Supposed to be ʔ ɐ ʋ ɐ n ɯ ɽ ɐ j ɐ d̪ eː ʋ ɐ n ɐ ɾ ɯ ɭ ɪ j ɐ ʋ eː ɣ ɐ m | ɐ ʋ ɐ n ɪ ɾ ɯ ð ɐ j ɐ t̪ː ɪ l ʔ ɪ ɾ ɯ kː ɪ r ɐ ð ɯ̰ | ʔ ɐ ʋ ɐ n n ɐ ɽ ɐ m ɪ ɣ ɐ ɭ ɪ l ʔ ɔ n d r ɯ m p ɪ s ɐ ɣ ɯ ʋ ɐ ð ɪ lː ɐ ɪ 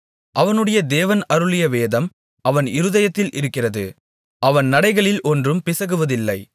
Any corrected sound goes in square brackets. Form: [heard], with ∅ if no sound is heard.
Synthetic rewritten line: ʔ ɐ ʋ ɐ n ɯ ɽ ɐ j ɐ d̪ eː ʋ ɐ n ɐ ɾ ɯ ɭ ɪ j ɐ ʋ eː [ð] ɐ m | ɐ ʋ ɐ n ɪ ɾ ɯ ð ɐ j ɐ t̪ː ɪ l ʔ ɪ ɾ ɯ kː ɪ r ɐ ð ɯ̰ | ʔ ɐ ʋ ɐ n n ɐ ɽ ɐ [∅] ɪ ɣ ɐ ɭ ɪ l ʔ ɔ n d r ɯ m p ɪ s ɐ ɣ ɯ ʋ ɐ ð ɪ lː ɐ ɪ